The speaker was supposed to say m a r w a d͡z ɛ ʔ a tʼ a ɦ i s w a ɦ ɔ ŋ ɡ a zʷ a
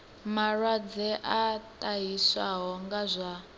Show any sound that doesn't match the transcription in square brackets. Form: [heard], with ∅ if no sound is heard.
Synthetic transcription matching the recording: m a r w a d͡z ɛ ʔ a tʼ a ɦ i s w a ɦ ɔ ŋ ɡ a zʷ a

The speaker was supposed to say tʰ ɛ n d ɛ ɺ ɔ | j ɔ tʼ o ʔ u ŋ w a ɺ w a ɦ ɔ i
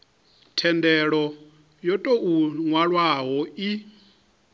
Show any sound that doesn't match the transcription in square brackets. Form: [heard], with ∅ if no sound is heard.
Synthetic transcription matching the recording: tʰ ɛ n d ɛ ɺ ɔ | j ɔ tʼ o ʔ u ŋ w a ɺ w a ɦ ɔ i

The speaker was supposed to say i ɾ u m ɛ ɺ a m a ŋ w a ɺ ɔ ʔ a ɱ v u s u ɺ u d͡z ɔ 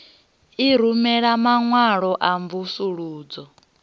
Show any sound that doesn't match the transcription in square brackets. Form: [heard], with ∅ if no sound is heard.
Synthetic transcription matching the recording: i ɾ u m ɛ ɺ a m a ŋ w a ɺ ɔ ʔ a ɱ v u s u ɺ [uː] d͡z ɔ

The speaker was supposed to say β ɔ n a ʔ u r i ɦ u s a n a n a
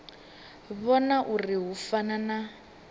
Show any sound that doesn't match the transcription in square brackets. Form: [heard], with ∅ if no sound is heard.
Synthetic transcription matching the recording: β ɔ n a ʔ u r i ɦ u [f] a n a n a

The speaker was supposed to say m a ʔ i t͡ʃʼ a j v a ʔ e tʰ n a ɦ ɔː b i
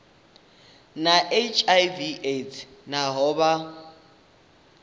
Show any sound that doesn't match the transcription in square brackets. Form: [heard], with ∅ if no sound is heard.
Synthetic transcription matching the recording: [n] a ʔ [e] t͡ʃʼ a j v [i] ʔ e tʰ n a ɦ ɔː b [a]

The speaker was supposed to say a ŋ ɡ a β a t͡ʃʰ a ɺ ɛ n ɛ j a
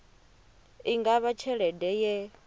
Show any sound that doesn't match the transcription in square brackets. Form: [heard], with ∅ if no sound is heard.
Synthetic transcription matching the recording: [i] ŋ ɡ a β a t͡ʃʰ [ɛ] ɺ ɛ [d] ɛ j [ɛ]

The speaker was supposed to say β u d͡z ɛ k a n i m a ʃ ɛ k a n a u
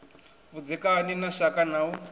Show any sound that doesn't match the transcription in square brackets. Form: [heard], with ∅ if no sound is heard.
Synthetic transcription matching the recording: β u d͡z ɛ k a n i [n] a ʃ [a] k a n a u

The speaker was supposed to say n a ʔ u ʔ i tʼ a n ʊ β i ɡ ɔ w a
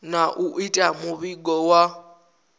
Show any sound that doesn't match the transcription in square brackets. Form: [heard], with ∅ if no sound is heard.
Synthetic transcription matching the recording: n a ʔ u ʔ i tʼ a [m] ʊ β i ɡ ɔ w a

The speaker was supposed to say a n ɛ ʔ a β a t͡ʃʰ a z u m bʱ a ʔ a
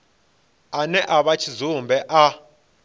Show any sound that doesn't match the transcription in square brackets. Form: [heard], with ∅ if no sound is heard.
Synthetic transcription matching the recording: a n ɛ ʔ a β a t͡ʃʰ [i] z u m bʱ [ɛ] ʔ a

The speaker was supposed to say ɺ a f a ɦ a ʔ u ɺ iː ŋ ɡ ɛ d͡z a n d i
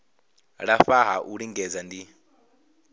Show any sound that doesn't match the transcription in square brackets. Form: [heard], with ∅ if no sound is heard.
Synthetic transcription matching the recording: ɺ a f a ɦ a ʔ u ɺ [i] ŋ ɡ ɛ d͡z a n d i

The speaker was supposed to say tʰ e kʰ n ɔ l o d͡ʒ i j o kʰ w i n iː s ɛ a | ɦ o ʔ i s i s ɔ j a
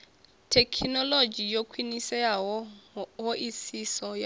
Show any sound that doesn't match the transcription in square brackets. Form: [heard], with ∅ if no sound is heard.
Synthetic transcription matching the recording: tʰ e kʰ n ɔ l o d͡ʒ i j o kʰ w i n [i] s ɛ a | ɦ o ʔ i s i s ɔ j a

